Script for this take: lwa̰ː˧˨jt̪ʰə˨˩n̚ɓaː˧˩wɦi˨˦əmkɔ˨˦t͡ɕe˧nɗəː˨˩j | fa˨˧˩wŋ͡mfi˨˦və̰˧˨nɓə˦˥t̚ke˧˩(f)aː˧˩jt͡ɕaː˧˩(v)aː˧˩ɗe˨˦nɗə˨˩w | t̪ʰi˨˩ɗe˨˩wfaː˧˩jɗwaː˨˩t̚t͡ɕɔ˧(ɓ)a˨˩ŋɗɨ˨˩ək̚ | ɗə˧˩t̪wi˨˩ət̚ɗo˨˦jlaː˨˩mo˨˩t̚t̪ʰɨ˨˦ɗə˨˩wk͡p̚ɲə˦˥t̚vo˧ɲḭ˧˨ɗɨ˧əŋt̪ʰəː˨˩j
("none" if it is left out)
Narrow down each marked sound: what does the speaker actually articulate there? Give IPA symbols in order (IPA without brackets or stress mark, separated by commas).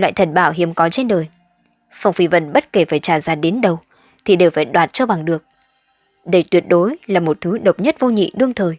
f, z, ɓ